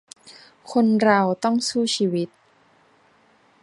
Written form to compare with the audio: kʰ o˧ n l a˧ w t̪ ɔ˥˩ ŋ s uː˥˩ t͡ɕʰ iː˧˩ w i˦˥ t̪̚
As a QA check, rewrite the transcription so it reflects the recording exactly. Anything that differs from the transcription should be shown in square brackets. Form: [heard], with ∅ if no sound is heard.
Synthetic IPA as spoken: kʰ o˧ n [ɾ] a˧ w t̪ ɔ˥˩ ŋ s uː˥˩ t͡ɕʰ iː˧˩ w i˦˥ t̪̚